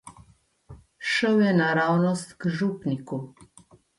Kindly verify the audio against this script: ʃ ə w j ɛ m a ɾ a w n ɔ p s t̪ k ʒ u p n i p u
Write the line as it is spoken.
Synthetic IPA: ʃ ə w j ɛ n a ɾ a w n ɔ s t̪ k ʒ u p n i k u